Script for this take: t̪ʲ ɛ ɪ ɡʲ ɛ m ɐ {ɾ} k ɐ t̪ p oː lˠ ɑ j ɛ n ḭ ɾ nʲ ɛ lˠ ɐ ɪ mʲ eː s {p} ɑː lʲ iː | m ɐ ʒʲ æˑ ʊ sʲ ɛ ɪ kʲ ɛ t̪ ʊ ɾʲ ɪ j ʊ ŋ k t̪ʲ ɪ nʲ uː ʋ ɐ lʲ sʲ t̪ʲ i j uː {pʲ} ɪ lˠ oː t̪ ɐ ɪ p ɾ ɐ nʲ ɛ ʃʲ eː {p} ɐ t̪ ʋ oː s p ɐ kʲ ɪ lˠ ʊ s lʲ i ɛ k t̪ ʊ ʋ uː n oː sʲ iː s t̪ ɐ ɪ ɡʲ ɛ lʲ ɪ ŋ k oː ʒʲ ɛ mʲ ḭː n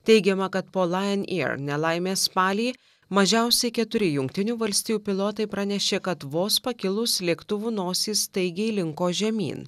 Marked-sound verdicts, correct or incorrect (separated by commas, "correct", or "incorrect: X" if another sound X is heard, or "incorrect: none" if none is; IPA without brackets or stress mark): incorrect: none, correct, correct, incorrect: k